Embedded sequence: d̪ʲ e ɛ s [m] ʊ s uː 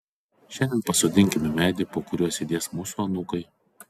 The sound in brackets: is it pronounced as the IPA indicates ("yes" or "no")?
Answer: yes